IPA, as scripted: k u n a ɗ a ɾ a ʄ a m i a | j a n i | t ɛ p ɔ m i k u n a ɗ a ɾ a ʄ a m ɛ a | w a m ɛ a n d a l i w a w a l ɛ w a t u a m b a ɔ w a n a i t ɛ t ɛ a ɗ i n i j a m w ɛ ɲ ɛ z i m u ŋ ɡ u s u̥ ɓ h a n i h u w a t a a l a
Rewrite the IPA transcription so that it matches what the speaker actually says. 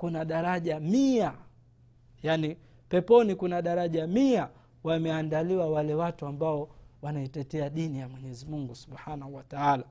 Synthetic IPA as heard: k u n a ɗ a ɾ a ʄ a m i a | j a n i | p ɛ p ɔ n i k u n a ɗ a ɾ a ʄ a m i a | w a m ɛ a n d a l i w a w a l ɛ w a t u a m b a ɔ w a n a i t ɛ t ɛ a ɗ i n i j a m w ɛ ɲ ɛ z i m u ŋ ɡ u s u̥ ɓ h a n a h u w a t a a l a